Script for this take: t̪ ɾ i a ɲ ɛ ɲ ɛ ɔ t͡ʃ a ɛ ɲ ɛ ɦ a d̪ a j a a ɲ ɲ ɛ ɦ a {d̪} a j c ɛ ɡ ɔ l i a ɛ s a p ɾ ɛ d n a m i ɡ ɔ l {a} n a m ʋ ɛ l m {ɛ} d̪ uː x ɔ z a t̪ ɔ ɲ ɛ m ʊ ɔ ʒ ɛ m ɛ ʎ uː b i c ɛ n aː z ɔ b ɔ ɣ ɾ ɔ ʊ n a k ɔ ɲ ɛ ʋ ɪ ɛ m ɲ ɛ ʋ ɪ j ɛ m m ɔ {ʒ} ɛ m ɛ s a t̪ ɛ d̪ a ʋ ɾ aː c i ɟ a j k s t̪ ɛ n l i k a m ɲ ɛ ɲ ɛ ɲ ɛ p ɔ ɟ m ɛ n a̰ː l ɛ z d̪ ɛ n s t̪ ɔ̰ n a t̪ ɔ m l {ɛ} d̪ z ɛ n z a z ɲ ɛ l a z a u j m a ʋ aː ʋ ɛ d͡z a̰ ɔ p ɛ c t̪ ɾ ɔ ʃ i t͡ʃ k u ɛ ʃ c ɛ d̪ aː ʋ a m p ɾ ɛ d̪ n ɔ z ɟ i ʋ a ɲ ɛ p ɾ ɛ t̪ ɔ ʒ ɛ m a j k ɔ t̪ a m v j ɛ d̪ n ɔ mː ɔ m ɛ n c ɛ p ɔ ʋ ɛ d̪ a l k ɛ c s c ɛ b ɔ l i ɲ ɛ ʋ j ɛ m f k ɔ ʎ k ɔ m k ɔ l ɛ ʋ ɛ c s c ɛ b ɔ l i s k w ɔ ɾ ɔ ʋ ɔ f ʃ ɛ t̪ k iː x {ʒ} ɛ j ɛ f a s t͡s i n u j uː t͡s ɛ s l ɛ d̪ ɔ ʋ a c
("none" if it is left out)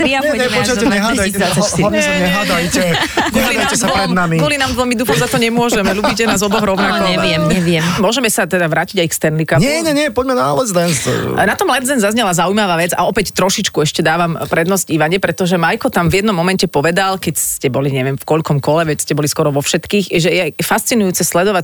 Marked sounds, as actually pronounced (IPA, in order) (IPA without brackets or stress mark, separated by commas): d̪, i, i, ʒ, ɛ, ʒ